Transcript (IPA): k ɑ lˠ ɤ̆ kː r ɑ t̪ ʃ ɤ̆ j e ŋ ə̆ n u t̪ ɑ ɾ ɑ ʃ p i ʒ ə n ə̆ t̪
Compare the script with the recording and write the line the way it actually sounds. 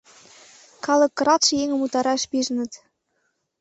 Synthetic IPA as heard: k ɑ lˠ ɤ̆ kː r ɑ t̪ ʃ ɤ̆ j e ŋ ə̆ m u t̪ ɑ ɾ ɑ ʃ p i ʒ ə n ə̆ t̪